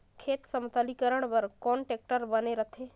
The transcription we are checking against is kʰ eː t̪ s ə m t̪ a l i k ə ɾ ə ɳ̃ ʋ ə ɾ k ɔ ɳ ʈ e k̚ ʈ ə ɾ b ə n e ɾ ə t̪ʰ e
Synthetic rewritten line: kʰ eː t̪ s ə m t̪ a l i k ə ɾ ə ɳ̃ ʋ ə ɾ k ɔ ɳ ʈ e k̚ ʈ ə ɾ b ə n e ɾ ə t̪ʰ e